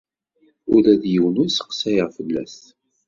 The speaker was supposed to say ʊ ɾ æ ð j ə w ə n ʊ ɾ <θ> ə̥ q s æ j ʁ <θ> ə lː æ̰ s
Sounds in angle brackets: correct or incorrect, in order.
incorrect, incorrect

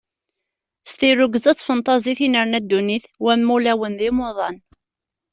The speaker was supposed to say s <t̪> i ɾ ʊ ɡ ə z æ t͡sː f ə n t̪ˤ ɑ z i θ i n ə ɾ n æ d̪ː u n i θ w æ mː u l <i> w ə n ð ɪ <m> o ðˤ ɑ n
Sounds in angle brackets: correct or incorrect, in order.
correct, incorrect, correct

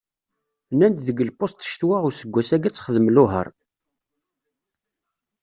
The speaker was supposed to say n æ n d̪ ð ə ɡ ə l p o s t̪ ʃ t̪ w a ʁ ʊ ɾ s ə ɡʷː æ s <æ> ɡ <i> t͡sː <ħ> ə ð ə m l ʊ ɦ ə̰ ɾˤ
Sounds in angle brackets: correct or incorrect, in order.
correct, incorrect, incorrect

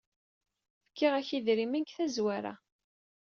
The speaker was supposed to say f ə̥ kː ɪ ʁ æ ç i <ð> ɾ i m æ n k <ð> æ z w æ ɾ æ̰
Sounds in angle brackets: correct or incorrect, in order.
correct, incorrect

